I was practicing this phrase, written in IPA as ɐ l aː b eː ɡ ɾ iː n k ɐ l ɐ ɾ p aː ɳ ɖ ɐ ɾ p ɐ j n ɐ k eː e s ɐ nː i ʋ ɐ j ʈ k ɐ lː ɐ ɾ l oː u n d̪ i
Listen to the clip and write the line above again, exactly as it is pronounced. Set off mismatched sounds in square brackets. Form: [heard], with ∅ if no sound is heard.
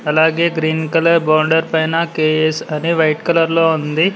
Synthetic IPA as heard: ɐ l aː [ɡ] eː ɡ ɾ iː n k ɐ l ɐ ɾ [b] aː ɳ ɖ ɐ ɾ p ɐ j n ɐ k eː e s ɐ [n] i ʋ ɐ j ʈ k ɐ [l] ɐ ɾ l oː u n d̪ i